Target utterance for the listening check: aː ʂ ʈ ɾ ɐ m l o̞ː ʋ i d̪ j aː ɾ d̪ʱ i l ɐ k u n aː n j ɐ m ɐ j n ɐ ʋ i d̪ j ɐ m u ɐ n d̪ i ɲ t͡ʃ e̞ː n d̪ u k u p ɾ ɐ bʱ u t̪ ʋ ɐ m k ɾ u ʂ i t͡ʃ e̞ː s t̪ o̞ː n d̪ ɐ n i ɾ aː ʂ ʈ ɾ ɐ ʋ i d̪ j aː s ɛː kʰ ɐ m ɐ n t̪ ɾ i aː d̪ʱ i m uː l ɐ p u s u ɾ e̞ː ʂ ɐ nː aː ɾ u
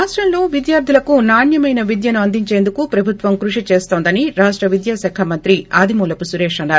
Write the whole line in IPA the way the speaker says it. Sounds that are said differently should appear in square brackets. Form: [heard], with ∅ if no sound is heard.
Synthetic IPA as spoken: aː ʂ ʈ ɾ ɐ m l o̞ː ʋ i d̪ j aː ɾ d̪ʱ i l ɐ k u n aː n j ɐ m ɐ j n ɐ ʋ i d̪ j ɐ [n] u ɐ n d̪ i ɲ t͡ʃ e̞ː n d̪ u k u p ɾ ɐ bʱ u t̪ ʋ ɐ m k ɾ u ʂ i t͡ʃ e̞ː s t̪ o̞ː n d̪ ɐ n i ɾ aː ʂ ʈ ɾ ɐ ʋ i d̪ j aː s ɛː kʰ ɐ m ɐ n t̪ ɾ i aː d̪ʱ i m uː l ɐ p u s u ɾ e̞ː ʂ ɐ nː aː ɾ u